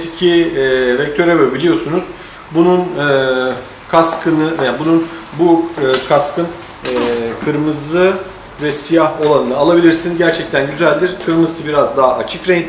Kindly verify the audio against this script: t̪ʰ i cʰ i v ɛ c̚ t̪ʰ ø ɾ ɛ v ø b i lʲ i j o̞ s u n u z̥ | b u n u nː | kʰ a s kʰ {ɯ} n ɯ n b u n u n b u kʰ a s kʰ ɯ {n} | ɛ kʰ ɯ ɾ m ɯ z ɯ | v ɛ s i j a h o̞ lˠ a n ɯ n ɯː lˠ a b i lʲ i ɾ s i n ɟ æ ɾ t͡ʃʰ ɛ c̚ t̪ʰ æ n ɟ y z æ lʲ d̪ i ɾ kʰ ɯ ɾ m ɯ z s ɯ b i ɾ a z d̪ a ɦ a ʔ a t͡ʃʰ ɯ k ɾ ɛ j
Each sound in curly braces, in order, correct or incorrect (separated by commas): correct, correct